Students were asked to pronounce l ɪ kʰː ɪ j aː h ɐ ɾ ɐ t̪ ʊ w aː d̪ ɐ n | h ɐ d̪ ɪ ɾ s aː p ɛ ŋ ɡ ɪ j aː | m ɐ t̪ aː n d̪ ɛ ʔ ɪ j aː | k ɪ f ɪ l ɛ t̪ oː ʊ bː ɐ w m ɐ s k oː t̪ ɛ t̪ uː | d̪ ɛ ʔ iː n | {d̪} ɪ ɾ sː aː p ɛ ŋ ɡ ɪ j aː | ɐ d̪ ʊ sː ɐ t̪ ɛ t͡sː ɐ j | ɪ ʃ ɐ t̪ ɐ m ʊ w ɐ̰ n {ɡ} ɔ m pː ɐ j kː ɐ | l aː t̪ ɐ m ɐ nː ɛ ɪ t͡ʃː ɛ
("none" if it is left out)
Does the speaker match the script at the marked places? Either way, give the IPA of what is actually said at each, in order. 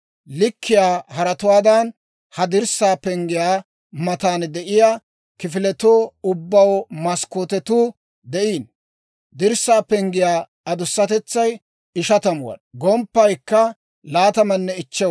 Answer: d̪, ɡ

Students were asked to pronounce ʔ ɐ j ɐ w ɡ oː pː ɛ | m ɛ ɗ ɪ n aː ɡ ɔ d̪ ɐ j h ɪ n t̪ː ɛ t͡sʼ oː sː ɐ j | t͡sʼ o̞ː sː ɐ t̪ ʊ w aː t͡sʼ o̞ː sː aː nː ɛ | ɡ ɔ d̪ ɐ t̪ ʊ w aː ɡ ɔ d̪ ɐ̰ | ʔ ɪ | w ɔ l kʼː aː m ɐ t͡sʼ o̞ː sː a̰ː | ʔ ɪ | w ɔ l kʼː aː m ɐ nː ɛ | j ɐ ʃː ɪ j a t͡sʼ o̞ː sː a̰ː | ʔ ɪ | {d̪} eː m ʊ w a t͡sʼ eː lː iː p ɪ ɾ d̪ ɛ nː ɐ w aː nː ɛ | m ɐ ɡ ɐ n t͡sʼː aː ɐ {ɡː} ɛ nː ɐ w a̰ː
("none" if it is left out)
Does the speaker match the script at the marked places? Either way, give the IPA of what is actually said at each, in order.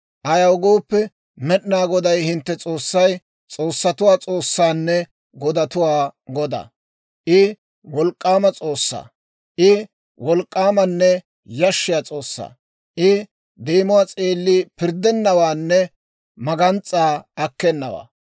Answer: d̪, kː

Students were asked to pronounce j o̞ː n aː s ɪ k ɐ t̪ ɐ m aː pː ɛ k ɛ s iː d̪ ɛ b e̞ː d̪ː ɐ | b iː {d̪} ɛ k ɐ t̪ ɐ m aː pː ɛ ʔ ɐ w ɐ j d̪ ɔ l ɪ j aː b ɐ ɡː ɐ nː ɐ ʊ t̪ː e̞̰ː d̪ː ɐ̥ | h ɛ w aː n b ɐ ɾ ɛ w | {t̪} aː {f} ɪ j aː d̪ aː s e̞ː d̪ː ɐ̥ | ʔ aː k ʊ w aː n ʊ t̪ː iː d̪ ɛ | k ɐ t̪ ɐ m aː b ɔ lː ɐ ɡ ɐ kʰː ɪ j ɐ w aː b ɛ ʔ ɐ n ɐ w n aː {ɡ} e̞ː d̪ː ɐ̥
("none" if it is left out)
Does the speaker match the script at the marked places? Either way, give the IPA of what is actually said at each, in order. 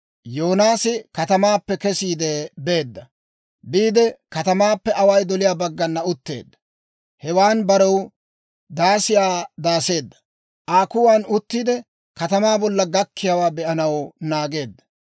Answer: d̪, d̪, s, ɡ

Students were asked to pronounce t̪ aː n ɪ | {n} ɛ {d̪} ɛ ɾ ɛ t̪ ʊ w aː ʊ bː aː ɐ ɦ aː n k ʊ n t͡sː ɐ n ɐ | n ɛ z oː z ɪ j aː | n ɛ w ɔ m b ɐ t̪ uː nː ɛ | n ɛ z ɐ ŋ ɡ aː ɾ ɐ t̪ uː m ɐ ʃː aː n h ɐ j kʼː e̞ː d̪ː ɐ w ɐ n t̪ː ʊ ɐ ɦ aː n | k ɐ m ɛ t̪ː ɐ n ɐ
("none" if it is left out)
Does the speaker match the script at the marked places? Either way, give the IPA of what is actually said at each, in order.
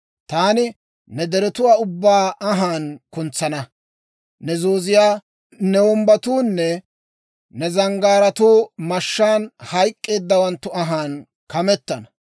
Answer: n, d̪

